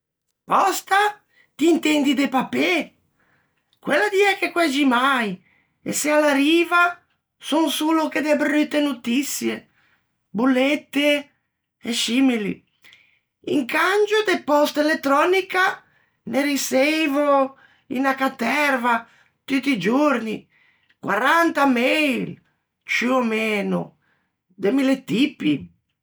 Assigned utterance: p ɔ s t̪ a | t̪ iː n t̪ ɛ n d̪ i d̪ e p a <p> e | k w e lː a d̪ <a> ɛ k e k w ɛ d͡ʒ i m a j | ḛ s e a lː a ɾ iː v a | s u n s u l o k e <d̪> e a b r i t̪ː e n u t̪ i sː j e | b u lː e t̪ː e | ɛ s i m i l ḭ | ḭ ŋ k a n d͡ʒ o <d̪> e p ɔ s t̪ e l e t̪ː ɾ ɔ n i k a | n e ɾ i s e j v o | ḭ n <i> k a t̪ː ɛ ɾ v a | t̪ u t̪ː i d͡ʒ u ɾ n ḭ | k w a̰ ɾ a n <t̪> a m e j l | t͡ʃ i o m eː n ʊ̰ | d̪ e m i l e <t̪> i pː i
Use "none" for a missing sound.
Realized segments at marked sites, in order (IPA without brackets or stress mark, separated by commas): p, i, d̪, d̪, a, t̪, t̪